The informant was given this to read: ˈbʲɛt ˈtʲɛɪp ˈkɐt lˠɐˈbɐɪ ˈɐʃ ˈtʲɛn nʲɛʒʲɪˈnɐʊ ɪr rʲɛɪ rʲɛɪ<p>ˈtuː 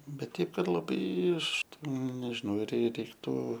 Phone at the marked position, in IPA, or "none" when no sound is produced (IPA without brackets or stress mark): k